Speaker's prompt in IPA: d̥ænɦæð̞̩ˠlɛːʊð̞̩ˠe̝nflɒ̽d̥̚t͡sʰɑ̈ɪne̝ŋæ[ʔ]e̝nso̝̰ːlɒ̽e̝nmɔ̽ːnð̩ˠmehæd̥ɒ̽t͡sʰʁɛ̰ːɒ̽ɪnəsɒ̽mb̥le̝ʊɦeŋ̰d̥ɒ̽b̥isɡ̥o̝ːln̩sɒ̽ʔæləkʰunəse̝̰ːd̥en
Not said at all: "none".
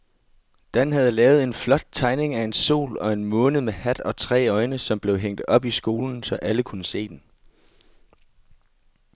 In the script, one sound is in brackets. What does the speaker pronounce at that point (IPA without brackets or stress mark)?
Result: none